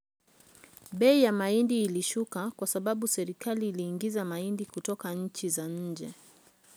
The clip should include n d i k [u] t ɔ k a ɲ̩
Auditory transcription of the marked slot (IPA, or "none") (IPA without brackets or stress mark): u